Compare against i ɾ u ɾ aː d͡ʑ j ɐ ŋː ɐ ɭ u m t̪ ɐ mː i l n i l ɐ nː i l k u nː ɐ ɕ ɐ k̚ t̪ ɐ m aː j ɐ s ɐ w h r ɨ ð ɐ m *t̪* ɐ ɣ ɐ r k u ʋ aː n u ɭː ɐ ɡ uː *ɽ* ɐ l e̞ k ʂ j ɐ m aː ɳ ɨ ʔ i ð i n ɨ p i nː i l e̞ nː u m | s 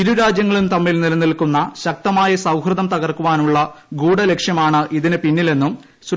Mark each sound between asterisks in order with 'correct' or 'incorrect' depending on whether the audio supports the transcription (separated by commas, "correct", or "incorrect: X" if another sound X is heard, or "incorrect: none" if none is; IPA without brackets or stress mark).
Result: correct, correct